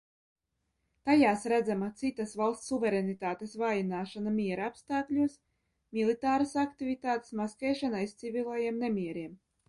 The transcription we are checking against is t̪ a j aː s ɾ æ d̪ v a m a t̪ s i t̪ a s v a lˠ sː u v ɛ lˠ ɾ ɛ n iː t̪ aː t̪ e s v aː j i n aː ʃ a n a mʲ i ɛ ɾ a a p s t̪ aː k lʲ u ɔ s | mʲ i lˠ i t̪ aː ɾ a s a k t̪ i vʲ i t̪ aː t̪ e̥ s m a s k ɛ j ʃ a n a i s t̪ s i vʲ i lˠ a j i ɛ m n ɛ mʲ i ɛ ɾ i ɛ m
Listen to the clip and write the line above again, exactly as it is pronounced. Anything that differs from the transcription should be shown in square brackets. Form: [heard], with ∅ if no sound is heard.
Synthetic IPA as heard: t̪ a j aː s ɾ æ d̪ [z] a m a t̪ s i t̪ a s v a lˠ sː u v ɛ [∅] ɾ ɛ n [i] t̪ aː t̪ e s v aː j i n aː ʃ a n a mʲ i ɛ ɾ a a p s t̪ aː k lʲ u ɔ s | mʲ i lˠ i t̪ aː ɾ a s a k t̪ i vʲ i t̪ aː t̪ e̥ s m a s k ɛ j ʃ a n a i s t̪ s i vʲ i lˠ a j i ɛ m n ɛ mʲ i ɛ ɾ i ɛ m